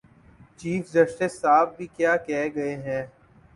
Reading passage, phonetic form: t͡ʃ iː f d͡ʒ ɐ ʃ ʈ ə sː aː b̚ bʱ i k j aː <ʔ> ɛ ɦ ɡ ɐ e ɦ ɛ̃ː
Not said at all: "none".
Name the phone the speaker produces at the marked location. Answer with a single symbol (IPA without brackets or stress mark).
k